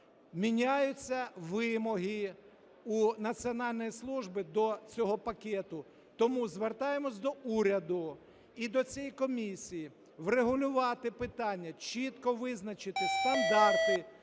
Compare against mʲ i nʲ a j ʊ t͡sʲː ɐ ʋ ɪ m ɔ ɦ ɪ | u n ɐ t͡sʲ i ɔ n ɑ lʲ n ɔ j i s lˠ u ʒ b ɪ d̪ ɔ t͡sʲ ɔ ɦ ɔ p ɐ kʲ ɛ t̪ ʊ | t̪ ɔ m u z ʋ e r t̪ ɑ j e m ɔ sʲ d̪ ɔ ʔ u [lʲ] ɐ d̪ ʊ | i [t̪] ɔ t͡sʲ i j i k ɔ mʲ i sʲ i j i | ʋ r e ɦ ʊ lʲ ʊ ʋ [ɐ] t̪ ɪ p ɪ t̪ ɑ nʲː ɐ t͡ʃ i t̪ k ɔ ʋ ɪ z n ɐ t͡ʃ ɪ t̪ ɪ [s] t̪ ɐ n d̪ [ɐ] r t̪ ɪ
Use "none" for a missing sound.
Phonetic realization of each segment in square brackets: ɾʲ, d̪, ɑ, s, ɑ

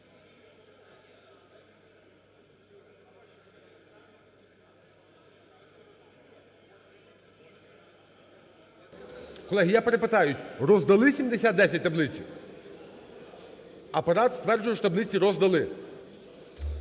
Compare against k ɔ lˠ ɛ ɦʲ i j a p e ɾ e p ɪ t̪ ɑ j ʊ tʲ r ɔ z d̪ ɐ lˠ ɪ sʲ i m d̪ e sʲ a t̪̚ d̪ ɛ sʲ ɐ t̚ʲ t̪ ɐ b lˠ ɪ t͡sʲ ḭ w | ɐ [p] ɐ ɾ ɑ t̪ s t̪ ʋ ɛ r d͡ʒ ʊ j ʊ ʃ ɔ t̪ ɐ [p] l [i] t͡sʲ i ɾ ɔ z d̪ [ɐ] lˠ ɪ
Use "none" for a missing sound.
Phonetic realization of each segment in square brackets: p, b, ɪ, ɐ

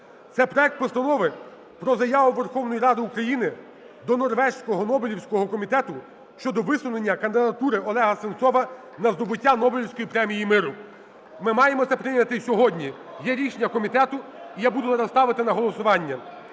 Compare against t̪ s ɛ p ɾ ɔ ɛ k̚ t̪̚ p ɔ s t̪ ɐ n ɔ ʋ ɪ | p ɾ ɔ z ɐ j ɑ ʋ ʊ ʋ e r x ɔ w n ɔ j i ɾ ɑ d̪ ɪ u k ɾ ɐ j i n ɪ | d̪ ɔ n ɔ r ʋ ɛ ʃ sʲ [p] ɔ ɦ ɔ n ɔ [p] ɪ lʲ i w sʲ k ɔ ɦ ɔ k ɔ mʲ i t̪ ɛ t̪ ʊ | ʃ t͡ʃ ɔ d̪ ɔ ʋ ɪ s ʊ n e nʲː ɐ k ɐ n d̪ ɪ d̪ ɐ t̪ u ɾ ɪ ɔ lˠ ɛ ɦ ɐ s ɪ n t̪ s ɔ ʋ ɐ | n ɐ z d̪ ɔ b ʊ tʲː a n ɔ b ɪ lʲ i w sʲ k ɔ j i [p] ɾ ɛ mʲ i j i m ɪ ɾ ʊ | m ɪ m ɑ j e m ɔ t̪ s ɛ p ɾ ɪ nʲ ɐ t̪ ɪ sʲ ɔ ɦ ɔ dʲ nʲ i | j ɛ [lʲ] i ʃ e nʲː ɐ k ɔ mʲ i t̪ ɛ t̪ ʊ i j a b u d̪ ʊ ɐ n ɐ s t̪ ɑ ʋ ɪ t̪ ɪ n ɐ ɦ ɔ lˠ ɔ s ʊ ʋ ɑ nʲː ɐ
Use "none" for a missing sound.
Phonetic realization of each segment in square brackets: k, b, p, ɾʲ

